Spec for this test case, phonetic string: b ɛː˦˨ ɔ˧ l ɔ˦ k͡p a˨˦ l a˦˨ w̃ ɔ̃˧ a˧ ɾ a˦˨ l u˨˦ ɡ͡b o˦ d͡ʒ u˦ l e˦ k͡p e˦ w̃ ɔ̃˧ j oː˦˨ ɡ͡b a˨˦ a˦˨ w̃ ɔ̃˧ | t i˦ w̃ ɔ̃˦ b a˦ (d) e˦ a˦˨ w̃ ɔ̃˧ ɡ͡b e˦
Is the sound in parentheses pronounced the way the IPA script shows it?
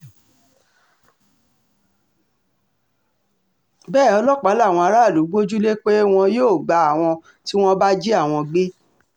no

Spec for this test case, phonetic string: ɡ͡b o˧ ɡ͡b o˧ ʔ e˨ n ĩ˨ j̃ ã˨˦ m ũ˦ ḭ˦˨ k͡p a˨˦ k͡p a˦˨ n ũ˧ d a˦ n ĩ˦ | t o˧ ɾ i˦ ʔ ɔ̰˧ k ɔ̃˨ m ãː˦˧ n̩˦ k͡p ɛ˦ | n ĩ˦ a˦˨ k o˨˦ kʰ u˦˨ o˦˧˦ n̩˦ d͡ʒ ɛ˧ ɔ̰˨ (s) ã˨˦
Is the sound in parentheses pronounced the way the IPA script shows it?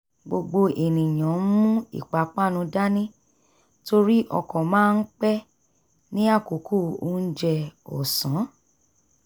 yes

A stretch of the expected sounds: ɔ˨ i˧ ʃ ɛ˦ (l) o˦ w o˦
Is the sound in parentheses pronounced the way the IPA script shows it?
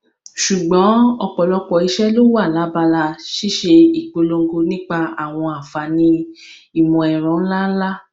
yes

